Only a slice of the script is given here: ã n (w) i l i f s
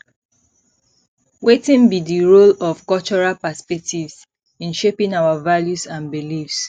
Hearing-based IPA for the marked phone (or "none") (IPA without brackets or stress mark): b